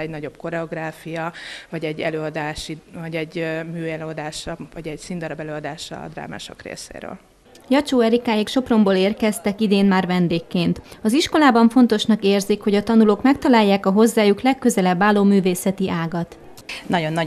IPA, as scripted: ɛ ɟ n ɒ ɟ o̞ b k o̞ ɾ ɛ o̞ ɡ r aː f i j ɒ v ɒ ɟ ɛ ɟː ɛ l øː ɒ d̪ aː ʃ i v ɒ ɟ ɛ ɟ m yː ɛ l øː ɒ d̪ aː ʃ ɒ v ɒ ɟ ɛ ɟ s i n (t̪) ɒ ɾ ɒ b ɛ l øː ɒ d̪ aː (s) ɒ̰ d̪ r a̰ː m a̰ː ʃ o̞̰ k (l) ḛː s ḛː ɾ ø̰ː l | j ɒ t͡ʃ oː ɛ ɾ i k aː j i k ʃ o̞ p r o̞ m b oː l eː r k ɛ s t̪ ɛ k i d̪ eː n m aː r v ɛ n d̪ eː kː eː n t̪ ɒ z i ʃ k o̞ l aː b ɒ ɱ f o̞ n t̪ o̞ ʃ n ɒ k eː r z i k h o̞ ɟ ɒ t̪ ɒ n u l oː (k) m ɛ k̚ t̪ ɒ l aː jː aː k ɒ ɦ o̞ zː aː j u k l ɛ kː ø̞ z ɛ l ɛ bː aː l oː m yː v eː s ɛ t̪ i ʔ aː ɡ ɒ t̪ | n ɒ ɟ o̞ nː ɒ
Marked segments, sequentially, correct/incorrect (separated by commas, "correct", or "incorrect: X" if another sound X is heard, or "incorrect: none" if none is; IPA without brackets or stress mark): incorrect: d̪, incorrect: ʃ, incorrect: r, correct